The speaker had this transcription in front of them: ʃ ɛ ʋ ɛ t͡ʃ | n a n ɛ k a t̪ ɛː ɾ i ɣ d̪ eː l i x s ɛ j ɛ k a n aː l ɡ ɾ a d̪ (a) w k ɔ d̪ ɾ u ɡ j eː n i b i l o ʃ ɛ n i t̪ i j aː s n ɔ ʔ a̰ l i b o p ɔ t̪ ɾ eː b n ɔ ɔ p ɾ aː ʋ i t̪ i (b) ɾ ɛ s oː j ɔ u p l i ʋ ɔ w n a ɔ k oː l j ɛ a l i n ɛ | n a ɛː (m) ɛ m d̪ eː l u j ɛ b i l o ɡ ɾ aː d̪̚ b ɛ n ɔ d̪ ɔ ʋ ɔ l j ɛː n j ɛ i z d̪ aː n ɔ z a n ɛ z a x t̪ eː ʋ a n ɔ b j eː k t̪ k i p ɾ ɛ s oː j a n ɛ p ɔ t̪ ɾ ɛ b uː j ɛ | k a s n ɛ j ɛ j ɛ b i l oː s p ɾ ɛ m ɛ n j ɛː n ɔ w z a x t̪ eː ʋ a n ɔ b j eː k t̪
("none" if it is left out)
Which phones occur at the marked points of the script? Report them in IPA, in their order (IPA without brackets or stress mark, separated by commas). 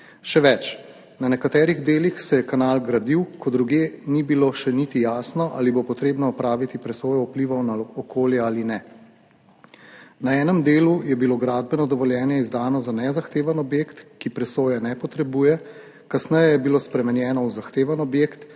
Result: i, p, n